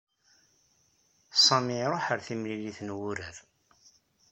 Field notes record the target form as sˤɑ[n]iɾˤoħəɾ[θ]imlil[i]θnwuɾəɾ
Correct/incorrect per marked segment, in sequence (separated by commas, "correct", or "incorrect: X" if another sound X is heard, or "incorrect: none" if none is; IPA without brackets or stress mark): incorrect: m, correct, correct